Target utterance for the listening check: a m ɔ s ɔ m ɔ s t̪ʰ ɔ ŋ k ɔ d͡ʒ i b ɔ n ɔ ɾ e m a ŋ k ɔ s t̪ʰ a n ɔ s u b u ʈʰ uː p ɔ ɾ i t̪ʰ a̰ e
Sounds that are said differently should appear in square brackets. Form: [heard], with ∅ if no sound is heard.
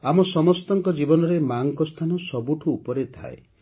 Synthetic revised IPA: a m ɔ s ɔ m ɔ s [t̪] ɔ ŋ k ɔ d͡ʒ i b ɔ n ɔ ɾ e m a ŋ k ɔ s t̪ʰ a n ɔ s [ɔ] b u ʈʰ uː p ɔ ɾ [e] t̪ʰ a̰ e